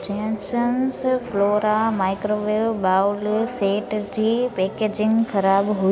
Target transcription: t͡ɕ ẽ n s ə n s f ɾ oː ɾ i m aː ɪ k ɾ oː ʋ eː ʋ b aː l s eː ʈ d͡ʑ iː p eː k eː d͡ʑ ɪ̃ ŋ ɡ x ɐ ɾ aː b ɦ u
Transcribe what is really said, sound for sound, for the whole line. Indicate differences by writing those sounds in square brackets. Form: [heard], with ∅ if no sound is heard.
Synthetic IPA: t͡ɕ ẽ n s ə n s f [l] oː ɾ [a] m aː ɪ k ɾ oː ʋ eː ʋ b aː l s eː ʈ d͡ʑ iː p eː k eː d͡ʑ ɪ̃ ŋ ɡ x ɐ ɾ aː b ɦ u